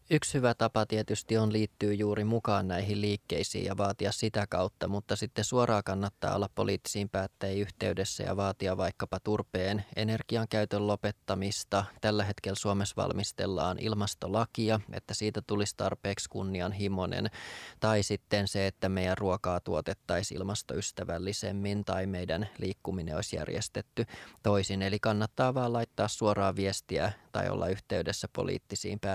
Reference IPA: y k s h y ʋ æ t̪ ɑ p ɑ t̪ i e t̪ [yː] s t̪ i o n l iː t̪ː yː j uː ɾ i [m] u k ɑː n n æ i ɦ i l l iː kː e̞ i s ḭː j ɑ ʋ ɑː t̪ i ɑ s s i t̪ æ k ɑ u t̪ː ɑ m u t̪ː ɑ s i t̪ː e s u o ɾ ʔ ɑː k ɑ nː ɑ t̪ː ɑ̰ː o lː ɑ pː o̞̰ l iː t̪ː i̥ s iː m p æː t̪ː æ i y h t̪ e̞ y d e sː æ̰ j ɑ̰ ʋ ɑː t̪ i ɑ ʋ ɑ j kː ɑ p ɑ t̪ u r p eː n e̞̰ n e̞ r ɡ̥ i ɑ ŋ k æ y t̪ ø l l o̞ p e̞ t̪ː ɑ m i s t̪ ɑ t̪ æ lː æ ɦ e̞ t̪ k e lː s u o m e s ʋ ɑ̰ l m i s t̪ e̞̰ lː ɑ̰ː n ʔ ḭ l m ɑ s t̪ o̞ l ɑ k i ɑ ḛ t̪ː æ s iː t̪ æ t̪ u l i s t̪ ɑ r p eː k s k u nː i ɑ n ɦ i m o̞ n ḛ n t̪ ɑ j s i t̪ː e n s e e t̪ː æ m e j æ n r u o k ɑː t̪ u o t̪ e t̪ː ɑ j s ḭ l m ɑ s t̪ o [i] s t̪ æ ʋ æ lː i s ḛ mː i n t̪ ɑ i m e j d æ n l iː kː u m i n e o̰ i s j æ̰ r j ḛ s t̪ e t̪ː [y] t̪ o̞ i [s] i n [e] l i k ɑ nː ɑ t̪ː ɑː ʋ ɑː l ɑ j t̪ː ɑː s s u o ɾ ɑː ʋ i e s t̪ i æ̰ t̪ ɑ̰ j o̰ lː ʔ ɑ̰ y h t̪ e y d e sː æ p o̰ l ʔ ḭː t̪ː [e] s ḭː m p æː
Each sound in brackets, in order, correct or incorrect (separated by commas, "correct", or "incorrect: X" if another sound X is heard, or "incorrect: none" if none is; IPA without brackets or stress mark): incorrect: y, correct, incorrect: y, correct, correct, correct, incorrect: i